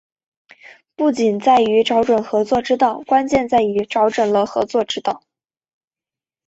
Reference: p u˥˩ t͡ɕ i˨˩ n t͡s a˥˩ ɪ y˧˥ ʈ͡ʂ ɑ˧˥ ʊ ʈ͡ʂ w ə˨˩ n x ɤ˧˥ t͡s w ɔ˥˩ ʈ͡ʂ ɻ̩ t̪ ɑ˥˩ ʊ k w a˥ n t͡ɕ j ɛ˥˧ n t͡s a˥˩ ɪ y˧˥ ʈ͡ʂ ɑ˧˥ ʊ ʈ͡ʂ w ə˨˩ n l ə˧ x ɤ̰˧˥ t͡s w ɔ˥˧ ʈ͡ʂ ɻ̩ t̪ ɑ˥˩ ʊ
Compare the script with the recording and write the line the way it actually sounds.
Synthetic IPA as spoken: p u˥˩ t͡ɕ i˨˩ n t͡s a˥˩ ɪ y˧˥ ʈ͡ʂ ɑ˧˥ ʊ ʈ͡ʂ w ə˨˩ n x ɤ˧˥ t͡s w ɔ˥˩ ʈ͡ʂ ɻ̩ t̪ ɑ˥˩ ʊ k w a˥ n t͡ɕ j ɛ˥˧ n t͡s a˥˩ ɪ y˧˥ ʈ͡ʂ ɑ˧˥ ʊ ʈ͡ʂ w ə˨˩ n l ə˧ x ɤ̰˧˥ t͡s w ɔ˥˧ ʈ͡ʂ ɻ̩ t̪ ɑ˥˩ ʊ